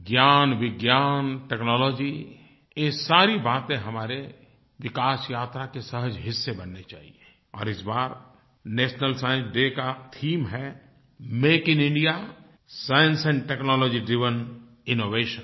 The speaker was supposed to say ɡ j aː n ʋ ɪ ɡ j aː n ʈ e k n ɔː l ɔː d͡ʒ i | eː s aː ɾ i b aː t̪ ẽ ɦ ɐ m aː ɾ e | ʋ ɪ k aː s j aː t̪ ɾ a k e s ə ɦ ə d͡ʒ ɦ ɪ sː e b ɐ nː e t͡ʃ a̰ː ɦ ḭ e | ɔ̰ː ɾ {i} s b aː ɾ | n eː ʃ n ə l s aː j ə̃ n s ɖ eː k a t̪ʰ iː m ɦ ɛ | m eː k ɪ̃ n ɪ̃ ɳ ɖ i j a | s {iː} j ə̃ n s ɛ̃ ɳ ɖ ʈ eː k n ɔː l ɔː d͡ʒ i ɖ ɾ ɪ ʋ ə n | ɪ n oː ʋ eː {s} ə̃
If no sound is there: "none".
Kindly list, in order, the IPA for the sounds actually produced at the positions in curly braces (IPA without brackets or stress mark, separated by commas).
ɪ, aː, ʃ